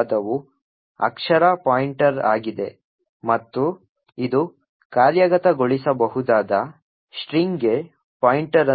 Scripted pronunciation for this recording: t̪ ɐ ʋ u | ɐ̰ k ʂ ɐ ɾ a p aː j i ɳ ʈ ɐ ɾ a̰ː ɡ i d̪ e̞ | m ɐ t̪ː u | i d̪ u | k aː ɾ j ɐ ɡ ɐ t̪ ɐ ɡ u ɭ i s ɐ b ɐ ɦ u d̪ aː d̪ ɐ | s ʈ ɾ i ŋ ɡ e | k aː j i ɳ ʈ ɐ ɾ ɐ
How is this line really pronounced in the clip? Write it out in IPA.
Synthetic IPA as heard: d̪ ɐ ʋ u | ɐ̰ k ʂ ɐ ɾ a p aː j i ɳ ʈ ɐ ɾ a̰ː ɡ i d̪ e̞ | m ɐ t̪ː u | i d̪ u | k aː ɾ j ɐ ɡ ɐ t̪ ɐ ɡ o ɭ i s ɐ b ɐ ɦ u d̪ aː d̪ ɐ | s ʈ ɾ i ŋ ɡ e | p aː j i ɳ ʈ ɐ ɾ ɐ